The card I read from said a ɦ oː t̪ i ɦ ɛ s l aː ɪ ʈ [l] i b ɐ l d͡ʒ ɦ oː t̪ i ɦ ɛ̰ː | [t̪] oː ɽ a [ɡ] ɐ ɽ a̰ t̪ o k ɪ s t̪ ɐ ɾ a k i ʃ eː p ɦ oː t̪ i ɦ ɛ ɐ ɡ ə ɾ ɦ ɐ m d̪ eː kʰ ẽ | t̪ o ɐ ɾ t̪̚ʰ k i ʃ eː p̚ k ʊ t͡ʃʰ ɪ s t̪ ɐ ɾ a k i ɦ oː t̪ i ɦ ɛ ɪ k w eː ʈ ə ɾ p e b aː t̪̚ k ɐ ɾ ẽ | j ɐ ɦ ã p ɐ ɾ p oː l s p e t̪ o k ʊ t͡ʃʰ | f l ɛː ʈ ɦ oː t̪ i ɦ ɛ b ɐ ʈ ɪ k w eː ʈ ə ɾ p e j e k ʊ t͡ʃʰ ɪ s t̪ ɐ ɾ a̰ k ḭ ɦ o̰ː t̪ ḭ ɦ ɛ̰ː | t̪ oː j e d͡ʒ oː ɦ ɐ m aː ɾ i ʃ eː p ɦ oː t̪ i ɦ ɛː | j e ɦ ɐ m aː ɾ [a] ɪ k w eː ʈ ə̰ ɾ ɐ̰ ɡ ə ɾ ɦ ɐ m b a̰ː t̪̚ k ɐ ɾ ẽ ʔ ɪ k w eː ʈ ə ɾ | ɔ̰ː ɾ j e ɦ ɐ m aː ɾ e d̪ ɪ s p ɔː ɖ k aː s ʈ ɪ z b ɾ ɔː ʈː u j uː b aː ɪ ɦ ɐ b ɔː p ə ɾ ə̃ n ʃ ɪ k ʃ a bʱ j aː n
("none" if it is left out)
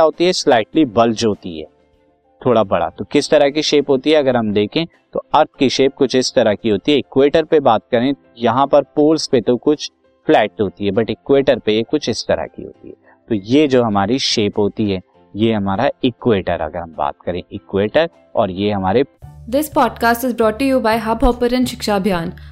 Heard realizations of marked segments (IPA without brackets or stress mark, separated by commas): l, t̪ʰ, b, a